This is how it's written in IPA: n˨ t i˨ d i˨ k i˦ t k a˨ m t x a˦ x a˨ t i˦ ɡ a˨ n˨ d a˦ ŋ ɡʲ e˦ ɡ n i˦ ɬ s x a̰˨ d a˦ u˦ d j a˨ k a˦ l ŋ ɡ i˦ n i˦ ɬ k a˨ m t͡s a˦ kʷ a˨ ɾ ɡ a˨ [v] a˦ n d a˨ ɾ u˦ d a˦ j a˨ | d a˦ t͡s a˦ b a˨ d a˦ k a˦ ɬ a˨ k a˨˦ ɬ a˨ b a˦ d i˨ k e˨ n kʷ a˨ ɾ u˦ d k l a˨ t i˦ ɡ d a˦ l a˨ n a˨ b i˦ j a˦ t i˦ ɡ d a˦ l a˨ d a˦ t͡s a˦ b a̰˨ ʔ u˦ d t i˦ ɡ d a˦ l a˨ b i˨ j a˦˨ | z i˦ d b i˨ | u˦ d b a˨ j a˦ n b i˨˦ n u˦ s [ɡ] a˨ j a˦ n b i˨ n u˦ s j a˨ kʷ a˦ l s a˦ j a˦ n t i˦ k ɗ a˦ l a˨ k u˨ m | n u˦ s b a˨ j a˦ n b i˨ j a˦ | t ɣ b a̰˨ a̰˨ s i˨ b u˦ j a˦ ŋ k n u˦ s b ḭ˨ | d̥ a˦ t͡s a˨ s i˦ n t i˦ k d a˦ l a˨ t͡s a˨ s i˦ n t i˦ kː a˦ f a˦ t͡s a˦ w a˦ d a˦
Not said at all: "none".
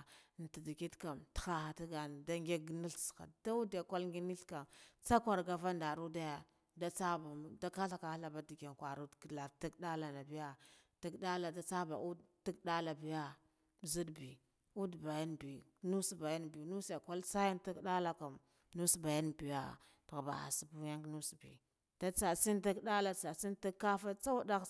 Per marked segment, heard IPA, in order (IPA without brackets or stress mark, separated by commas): v, b